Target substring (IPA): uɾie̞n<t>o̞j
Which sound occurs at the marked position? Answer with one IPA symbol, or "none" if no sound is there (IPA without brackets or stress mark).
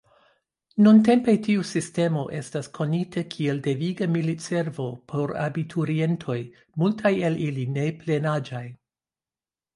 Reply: tʰ